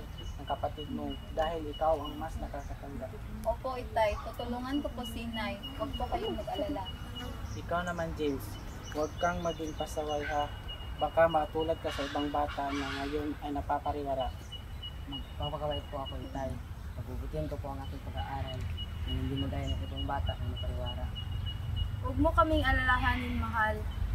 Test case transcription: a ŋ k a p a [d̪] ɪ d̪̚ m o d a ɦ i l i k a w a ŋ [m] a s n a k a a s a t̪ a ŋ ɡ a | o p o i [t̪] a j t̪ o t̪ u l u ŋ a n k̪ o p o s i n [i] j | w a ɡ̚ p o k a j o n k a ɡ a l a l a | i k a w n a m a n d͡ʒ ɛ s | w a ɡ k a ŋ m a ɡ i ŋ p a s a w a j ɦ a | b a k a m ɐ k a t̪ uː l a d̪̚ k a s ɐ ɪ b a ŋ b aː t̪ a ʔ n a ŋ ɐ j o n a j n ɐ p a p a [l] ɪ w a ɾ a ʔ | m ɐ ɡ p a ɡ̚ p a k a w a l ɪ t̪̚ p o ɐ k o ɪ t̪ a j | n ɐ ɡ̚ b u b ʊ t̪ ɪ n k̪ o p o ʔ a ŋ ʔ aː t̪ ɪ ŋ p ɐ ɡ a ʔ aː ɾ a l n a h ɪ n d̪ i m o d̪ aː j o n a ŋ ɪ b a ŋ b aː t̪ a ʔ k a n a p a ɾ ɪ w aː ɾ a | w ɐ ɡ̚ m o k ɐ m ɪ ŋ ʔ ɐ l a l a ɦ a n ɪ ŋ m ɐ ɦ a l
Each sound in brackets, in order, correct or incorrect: incorrect: t̪, correct, correct, incorrect: a, incorrect: ɾ

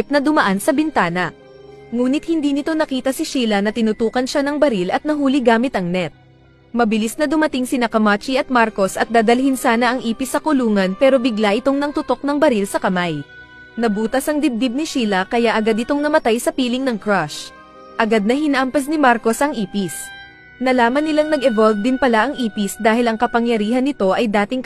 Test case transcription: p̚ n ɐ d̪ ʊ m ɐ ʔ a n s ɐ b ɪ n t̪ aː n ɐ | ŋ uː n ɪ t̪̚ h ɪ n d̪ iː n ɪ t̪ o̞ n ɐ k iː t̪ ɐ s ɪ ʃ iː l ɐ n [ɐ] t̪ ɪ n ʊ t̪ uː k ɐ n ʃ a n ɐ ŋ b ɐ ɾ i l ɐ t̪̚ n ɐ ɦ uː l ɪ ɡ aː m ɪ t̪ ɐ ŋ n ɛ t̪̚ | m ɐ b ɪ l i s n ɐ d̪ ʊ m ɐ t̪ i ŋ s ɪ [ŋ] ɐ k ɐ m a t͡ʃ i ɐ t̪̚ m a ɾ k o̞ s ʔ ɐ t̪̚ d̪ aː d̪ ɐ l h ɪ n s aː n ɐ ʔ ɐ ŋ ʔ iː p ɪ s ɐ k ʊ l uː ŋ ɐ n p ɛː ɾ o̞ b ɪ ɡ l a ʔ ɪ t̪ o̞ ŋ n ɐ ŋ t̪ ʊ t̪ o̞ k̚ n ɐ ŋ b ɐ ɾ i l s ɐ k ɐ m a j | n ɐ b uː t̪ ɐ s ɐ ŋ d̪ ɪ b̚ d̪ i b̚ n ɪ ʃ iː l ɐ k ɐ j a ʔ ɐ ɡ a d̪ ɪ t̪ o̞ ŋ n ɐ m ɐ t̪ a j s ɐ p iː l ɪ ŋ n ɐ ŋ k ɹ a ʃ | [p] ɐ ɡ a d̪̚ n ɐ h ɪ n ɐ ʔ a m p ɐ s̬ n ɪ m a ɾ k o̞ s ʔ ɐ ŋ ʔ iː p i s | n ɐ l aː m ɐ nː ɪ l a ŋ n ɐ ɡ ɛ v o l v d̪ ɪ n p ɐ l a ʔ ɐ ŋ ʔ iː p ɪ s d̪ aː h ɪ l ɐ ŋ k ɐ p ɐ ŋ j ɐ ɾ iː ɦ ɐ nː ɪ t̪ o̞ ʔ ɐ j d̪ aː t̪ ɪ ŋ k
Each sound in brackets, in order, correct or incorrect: correct, incorrect: n, incorrect: ʔ

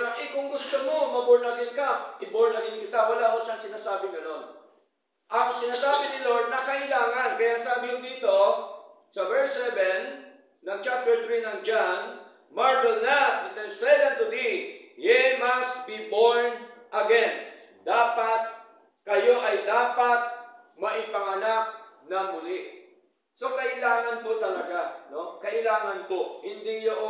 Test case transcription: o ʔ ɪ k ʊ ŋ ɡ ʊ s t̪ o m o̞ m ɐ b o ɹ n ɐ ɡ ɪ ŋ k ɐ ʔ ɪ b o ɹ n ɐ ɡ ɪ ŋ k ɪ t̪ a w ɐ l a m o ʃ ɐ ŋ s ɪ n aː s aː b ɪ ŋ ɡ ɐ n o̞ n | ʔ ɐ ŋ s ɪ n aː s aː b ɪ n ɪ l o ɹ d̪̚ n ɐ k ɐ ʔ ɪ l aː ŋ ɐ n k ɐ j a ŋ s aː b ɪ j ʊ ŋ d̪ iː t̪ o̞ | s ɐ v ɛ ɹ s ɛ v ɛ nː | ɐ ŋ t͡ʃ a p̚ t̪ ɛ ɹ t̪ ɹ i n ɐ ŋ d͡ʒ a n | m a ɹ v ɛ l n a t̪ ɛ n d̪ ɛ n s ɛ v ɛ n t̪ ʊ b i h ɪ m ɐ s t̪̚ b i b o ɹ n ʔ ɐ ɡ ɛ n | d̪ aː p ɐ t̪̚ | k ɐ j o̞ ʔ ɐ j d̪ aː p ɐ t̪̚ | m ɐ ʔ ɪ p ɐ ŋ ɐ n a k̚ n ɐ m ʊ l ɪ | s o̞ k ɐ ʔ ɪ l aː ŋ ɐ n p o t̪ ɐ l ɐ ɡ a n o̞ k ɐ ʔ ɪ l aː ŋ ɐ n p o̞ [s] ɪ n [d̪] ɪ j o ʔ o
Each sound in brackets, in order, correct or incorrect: incorrect: h, correct

